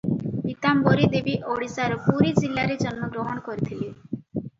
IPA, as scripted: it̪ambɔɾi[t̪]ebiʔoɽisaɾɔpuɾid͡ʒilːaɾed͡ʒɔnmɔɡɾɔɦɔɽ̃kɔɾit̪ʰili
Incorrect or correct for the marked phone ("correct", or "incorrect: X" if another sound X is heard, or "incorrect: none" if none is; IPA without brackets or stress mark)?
incorrect: d̪